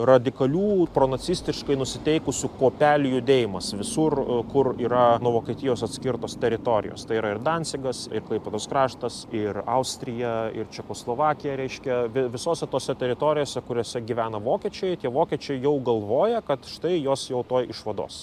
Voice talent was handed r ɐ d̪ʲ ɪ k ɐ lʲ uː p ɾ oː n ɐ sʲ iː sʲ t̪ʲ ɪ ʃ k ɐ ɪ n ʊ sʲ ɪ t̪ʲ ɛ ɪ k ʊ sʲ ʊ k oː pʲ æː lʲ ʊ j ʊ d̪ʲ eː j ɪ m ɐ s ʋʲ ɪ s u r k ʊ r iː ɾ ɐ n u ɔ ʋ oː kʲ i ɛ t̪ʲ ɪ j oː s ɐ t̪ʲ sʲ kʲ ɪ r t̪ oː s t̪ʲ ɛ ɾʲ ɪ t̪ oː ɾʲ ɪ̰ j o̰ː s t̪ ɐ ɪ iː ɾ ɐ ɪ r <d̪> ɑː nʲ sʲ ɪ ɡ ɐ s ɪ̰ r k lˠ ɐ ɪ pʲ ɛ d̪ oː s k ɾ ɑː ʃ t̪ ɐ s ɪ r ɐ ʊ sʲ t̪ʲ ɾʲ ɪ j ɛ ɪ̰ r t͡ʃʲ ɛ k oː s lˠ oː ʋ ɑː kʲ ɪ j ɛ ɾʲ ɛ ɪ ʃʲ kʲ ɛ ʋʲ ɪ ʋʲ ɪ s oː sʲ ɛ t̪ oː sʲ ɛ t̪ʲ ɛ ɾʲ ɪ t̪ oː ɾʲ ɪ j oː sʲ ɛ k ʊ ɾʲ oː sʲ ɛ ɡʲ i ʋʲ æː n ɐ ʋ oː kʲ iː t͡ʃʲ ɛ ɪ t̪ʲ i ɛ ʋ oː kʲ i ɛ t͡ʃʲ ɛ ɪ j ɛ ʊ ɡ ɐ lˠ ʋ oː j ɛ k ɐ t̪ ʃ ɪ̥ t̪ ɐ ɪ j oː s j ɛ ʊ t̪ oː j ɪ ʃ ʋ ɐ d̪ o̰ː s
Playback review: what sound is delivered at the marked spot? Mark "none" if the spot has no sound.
d̪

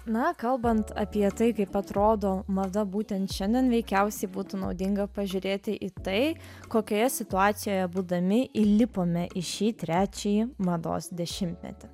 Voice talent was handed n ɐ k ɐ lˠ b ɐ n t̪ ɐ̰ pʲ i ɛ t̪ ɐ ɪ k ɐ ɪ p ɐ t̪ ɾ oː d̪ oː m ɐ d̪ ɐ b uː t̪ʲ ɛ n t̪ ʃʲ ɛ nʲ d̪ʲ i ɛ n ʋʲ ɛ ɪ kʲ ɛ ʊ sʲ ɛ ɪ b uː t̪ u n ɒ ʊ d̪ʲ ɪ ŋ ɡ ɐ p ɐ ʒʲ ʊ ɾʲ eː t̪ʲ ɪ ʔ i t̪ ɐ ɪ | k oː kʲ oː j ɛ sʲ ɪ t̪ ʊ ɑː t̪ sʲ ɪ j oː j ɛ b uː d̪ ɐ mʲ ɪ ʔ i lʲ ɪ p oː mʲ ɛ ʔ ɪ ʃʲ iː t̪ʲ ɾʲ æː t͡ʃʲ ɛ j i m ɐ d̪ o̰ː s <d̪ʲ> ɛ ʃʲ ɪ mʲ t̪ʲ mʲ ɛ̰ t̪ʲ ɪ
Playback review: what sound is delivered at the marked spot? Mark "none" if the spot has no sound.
d̪ʲ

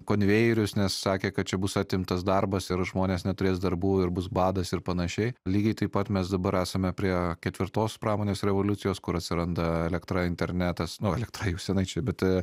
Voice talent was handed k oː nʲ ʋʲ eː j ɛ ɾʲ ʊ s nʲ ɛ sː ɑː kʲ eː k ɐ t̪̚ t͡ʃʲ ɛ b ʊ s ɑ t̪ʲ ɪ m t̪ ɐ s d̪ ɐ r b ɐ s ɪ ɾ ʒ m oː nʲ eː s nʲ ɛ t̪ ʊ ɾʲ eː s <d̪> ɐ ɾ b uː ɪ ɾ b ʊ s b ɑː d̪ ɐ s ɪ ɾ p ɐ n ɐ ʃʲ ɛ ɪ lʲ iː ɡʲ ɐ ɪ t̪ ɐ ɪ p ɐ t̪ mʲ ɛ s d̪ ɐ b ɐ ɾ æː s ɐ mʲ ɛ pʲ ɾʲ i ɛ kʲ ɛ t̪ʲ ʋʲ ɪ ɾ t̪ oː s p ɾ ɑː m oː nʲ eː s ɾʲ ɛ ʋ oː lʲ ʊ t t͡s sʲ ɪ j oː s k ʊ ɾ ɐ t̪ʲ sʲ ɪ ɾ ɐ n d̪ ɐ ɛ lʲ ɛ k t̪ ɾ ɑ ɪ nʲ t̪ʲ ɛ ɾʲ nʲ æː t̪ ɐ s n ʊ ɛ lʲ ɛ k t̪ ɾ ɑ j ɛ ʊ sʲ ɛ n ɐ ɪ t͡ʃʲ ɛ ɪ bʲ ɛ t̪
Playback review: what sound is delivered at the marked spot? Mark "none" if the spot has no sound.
d̪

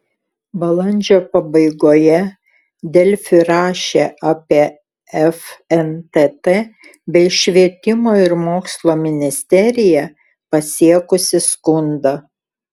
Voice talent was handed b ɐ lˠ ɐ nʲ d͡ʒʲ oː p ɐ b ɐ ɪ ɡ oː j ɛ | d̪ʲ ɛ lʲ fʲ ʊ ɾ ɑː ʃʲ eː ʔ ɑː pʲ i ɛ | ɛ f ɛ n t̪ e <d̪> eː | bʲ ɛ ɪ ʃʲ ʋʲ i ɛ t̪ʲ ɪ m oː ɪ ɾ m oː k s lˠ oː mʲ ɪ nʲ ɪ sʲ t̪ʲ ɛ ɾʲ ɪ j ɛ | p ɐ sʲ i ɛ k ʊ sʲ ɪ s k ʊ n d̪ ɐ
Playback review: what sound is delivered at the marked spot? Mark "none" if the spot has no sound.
t̪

